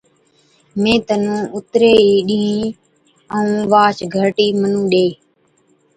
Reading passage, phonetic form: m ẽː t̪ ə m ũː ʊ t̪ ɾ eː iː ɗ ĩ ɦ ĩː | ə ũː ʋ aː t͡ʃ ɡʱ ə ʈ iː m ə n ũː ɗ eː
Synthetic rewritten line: m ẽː t̪ ə n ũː ʊ t̪ ɾ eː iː ɗ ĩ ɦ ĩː | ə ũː ʋ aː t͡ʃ ɡʱ ə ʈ iː m ə n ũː ɗ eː